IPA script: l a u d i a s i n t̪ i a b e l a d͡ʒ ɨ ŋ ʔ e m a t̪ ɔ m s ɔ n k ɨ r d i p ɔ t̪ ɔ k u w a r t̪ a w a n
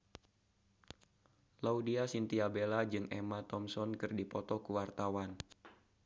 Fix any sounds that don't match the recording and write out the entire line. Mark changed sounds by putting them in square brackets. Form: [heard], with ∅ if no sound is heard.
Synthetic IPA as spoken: l a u d i a s i n t̪ i a b e l a d͡ʒ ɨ ŋ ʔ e m a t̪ ɔ m s ɔ n k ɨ r d i p ɔ t̪ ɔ k u w a r t̪ a w a n